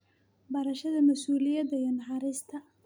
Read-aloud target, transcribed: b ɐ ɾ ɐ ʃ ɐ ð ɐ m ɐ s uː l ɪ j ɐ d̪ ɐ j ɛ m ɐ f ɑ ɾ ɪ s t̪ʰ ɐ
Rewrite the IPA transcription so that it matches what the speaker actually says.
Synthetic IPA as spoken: b ɐ ɾ ɐ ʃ ɐ ð ɐ m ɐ s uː l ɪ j ɐ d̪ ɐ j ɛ n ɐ ħ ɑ ɾ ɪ s t̪ʰ ɐ

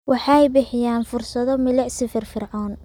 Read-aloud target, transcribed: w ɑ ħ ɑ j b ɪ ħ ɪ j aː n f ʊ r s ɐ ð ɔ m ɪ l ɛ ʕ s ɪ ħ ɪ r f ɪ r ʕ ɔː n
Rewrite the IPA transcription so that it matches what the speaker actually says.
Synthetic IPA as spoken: w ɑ ħ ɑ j b ɪ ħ ɪ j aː n f ʊ r s ɐ ð ɔ m ɪ l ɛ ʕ s ɪ f ɪ r f ɪ r ʕ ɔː n

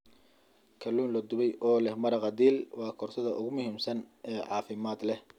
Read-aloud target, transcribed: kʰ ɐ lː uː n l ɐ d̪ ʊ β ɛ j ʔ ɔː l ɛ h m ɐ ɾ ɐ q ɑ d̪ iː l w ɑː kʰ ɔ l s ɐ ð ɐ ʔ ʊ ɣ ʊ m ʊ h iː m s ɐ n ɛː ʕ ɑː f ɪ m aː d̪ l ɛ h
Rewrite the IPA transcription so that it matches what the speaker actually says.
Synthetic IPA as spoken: kʰ ɐ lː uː n l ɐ d̪ ʊ β ɛ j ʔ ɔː l ɛ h m ɐ ɾ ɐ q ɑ d̪ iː l w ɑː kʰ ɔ r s ɐ ð ɐ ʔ ʊ ɣ ʊ m ʊ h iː m s ɐ n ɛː ʕ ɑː f ɪ m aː d̪ l ɛ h

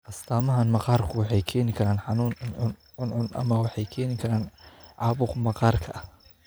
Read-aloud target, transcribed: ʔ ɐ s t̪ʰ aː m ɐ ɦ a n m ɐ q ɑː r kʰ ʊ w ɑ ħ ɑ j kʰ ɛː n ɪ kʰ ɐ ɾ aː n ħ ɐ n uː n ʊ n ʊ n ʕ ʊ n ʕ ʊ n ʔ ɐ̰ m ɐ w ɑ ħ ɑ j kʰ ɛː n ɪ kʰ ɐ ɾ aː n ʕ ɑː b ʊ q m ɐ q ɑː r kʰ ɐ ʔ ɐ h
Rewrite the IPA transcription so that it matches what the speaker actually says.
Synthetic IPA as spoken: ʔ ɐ s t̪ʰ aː m ɐ ɦ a n m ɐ q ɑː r kʰ ʊ w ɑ ħ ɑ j kʰ ɛː n ɪ kʰ ɐ ɾ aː n ħ ɑ n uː n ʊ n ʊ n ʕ ʊ n ʕ ʊ n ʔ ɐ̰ m ɐ w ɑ ħ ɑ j kʰ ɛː n ɪ kʰ ɐ ɾ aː n ʕ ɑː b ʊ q m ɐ q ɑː r kʰ ɐ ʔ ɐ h

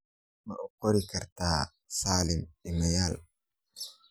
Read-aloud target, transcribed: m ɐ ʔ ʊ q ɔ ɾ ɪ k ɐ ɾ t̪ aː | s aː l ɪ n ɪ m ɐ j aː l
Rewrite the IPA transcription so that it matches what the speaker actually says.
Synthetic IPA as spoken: m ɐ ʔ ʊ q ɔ ɾ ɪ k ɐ ɾ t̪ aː | s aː l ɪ m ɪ m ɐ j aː l

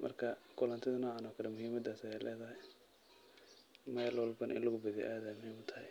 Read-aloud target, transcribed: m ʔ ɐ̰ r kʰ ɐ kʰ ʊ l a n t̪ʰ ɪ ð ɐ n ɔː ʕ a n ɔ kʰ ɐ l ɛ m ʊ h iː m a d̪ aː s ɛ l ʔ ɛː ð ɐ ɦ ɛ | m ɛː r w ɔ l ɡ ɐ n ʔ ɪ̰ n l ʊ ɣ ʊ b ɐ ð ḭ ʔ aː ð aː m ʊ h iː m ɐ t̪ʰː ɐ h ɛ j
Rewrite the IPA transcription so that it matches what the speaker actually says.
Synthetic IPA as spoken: m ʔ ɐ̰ r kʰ ɐ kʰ ʊ l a n t̪ʰ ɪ ð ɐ n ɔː ʕ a n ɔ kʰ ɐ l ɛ m ʊ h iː m ɐ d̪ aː s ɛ l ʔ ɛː ð ɐ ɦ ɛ | m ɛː l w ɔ l b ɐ n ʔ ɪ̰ n l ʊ ɣ ʊ b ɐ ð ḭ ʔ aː ð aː m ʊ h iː m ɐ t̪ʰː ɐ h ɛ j

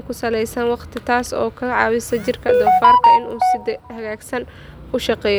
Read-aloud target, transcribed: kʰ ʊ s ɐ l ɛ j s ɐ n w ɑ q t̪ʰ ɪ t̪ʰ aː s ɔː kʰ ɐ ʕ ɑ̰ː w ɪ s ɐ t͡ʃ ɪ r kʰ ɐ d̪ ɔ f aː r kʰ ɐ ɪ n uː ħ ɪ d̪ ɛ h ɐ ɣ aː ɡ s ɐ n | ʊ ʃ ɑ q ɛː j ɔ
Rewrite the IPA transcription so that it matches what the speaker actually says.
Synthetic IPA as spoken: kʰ ʊ s ɐ l ɛ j s ɐ n w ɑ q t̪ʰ ɪ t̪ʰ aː s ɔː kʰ ɐ ʕ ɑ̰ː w ɪ s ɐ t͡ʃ ɪ r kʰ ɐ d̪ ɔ f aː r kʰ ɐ ɪ n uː s ɪ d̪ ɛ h ɐ ɣ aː ɡ s ɐ n | ʊ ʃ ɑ q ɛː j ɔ

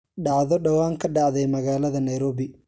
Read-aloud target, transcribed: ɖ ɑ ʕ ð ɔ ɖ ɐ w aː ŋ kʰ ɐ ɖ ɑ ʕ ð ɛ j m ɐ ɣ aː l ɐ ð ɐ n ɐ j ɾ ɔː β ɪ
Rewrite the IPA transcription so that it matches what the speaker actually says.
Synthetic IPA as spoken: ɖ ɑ ʕ ð ɔ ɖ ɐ w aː ŋ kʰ ɐ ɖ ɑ ʕ ð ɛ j m ɐ ɣ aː l ɐ ð ɐ n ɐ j ɾ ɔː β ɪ

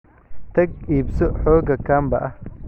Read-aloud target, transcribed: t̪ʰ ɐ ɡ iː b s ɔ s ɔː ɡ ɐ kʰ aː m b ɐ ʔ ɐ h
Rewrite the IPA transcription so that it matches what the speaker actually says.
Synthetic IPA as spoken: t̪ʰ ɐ ɡ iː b s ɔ ħ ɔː ɡ ɐ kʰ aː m b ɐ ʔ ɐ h

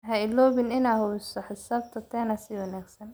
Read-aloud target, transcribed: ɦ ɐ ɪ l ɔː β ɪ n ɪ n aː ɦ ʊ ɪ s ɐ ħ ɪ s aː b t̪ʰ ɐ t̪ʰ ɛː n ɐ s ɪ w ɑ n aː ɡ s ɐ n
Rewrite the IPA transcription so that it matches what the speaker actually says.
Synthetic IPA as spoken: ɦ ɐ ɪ l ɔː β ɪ n ɪ n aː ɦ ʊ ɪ s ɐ ħ ɪ s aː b t̪ʰ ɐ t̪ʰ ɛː n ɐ s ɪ w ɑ n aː ɡ s ɐ n

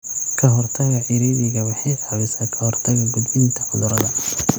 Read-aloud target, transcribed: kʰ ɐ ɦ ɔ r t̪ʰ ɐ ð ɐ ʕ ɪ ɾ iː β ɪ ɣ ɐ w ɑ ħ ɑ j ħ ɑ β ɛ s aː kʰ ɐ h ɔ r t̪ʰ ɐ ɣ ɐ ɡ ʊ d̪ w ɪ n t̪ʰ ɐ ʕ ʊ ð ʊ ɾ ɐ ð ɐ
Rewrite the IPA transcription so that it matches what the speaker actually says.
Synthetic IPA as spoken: kʰ ɐ ɦ ɔ r t̪ʰ ɐ ɣ ɐ ʕ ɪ ɾ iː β ɪ ɣ ɐ w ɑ ħ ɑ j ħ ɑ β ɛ s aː kʰ ɐ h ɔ r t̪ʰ ɐ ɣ ɐ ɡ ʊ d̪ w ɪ n t̪ʰ ɐ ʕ ʊ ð ʊ ɾ ɐ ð ɐ

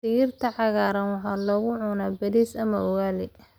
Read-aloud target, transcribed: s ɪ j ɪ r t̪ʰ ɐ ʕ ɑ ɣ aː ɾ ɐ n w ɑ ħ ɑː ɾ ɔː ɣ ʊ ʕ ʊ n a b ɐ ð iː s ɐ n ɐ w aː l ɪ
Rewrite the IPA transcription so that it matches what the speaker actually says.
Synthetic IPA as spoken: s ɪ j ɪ r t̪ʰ ɐ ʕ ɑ ɣ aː ɾ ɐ n w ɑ ħ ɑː l ɔː ɣ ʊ ʕ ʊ n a b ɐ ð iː s ɐ m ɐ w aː l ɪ

